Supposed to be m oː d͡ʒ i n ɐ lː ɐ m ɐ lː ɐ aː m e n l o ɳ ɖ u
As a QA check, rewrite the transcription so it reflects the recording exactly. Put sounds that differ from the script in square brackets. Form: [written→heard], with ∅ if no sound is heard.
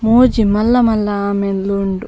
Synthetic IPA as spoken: m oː d͡ʒ i [n→m] ɐ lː ɐ m ɐ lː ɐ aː m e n l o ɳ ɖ u